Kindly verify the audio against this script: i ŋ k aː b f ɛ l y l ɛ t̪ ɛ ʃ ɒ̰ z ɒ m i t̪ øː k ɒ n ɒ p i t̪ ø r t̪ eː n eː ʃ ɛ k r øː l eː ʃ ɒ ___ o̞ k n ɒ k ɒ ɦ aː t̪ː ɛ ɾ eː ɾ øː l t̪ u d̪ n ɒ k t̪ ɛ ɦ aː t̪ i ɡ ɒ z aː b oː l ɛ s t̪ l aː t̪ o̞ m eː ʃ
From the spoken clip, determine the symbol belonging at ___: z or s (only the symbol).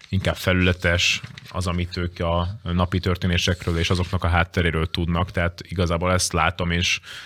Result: z